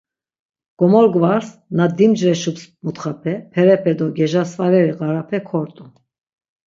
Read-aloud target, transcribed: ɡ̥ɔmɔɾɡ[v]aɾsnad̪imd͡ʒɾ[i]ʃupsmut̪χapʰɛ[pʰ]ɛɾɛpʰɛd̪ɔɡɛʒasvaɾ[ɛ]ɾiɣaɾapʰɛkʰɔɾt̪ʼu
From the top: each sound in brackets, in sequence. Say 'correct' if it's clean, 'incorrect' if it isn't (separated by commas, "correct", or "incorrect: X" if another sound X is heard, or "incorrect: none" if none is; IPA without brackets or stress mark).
correct, incorrect: ɛ, correct, correct